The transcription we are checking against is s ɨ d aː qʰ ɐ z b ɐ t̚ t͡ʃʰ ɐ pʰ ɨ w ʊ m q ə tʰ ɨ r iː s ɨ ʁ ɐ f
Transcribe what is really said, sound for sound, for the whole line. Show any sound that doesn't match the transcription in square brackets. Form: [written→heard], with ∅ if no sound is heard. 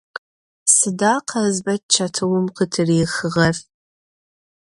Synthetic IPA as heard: s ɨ d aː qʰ ɐ z b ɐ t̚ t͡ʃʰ ɐ [pʰ→tʰ] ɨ w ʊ m q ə tʰ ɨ r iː [s→x] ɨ ʁ ɐ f

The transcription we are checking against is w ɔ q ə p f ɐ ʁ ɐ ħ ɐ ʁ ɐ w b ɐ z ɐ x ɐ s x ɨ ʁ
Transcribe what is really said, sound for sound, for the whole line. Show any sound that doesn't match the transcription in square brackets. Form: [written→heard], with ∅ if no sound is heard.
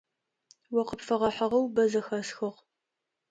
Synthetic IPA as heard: w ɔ q ə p f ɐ ʁ ɐ ħ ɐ ʁ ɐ w b ɐ z ɐ x ɐ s x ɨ ʁ

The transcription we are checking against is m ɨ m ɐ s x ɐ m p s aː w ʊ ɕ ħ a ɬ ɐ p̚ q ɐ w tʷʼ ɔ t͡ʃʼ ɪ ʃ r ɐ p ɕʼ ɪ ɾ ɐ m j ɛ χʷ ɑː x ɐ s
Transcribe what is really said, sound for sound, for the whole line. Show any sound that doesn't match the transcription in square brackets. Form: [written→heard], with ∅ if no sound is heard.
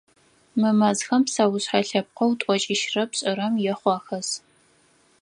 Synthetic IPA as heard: m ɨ m ɐ [s→z] x ɐ m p s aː w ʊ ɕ ħ a ɬ ɐ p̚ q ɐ w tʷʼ ɔ t͡ʃʼ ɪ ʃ r ɐ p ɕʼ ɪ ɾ ɐ m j ɛ χʷ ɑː x ɐ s

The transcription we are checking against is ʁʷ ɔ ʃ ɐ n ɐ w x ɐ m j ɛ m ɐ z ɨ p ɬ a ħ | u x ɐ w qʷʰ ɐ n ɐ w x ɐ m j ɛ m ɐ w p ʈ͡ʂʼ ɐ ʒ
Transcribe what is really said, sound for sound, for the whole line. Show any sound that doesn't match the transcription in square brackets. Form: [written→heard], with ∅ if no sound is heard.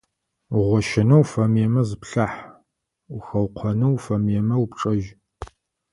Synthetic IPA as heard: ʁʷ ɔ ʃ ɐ n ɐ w [x→f] ɐ m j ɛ m ɐ z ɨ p ɬ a ħ | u x ɐ w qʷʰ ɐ n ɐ w [x→f] ɐ m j ɛ m ɐ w p ʈ͡ʂʼ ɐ ʒ

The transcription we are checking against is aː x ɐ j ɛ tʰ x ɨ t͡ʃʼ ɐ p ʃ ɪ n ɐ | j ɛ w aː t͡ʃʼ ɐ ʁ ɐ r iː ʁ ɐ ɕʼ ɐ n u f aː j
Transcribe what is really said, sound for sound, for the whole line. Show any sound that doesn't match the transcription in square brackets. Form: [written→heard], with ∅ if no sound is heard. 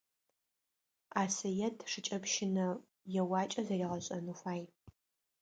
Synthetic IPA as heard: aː [x→s] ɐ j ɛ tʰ [x→ʂ] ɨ t͡ʃʼ ɐ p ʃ ɪ n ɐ | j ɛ w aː t͡ʃʼ ɐ [ʁ→z] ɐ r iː ʁ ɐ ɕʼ ɐ n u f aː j

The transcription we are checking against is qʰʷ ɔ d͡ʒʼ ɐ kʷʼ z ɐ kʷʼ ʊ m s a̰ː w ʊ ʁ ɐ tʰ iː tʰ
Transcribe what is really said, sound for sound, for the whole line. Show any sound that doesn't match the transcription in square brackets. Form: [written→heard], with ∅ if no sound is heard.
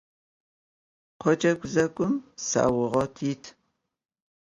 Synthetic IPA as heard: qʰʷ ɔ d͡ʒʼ ɐ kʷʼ z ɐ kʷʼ ʊ m s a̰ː w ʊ ʁ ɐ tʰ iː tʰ

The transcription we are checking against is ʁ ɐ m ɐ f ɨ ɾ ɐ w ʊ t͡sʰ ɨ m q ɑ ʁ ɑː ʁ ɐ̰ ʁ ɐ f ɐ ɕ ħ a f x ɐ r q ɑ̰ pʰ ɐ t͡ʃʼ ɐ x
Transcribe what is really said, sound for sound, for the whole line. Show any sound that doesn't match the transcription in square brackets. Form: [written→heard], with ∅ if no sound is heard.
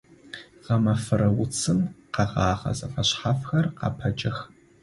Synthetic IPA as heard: ʁ ɐ m ɐ f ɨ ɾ ɐ w ʊ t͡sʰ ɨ m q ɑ ʁ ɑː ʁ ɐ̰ [ʁ→z] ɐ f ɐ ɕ ħ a f x ɐ r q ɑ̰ pʰ ɐ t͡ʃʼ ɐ x

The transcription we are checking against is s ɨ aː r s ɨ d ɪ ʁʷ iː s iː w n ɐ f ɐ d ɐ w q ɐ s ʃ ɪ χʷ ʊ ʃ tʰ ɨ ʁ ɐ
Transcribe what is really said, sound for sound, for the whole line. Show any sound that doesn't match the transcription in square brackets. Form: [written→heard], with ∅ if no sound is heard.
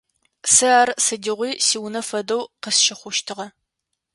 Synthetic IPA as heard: s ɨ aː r s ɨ d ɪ ʁʷ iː s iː w n ɐ f ɐ d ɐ w q [ɐ→ə] s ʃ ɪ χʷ ʊ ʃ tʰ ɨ ʁ ɐ

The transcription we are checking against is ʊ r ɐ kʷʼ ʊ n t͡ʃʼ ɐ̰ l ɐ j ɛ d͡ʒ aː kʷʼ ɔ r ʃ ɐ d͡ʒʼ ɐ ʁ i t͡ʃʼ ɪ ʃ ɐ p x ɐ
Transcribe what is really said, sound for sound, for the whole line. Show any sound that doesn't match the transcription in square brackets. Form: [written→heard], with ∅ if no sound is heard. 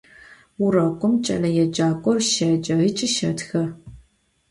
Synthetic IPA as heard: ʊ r ɐ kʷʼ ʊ [n→m] t͡ʃʼ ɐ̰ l ɐ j ɛ d͡ʒ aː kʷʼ ɔ r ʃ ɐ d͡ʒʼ ɐ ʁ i t͡ʃʼ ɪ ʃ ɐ [p→t] x ɐ

